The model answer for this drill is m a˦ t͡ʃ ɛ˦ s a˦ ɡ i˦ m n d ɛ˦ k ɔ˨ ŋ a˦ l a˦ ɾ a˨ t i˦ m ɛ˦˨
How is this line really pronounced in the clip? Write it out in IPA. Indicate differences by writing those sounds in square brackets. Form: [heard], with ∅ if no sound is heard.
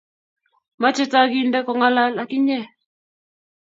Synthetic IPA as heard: m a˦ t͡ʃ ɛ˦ [t] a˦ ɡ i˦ [∅] n d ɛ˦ k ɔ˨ ŋ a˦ l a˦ [l] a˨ [k] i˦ [ɲ] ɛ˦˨